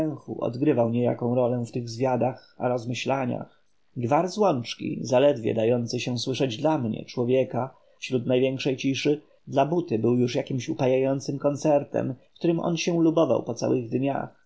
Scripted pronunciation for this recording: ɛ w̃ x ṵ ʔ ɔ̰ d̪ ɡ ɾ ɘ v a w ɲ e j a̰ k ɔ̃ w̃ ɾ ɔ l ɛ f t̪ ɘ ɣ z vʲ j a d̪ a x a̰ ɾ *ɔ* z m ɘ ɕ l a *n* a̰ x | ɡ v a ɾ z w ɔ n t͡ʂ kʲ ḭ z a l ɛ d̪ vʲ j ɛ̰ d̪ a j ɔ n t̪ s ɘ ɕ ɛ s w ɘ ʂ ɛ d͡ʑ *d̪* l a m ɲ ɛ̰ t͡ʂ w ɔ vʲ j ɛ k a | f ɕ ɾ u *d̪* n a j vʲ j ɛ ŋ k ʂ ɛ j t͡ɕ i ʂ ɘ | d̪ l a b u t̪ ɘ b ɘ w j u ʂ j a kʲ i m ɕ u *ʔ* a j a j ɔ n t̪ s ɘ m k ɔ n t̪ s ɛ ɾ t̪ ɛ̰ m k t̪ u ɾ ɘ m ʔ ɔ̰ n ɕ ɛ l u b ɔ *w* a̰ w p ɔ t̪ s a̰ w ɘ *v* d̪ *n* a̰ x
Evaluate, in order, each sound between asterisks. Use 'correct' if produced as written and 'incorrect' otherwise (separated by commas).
correct, incorrect, correct, incorrect, incorrect, incorrect, incorrect, incorrect